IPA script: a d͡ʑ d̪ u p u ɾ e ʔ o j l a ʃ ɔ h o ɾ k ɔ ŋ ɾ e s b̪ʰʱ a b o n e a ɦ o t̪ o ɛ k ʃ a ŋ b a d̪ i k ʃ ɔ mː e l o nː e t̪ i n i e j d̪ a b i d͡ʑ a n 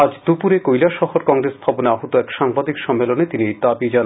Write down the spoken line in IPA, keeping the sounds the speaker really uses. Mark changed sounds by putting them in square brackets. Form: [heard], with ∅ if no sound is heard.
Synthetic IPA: a d͡ʑ d̪ u p u ɾ e [k] o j l a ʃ ɔ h o ɾ k ɔ ŋ ɾ e s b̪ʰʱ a b o n e a ɦ o t̪ o ɛ k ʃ a ŋ b a d̪ i k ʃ ɔ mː e l o [n] e t̪ i n i e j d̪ a b i d͡ʑ a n